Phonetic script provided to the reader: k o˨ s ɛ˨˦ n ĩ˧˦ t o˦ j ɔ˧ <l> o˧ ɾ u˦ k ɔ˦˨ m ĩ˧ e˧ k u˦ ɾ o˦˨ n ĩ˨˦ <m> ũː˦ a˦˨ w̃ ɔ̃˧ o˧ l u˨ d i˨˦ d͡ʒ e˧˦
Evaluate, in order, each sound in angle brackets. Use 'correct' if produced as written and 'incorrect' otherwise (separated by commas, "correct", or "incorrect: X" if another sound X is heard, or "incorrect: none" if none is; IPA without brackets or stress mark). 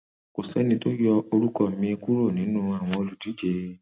incorrect: none, incorrect: n